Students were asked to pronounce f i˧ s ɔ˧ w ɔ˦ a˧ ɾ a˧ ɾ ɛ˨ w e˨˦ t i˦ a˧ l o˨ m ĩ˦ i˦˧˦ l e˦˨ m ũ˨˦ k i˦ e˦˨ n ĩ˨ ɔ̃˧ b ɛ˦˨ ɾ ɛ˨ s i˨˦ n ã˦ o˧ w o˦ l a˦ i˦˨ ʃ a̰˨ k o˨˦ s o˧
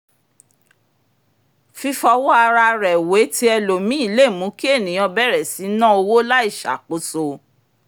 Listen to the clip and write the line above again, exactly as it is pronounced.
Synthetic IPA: f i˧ f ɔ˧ w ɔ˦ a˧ ɾ a˧ ɾ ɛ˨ w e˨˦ t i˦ ɛ˧ l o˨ m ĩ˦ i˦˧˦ l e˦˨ m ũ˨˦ k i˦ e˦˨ n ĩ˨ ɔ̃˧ b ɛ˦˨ ɾ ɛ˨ s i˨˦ n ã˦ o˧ w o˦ l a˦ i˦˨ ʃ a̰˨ k͡p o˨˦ s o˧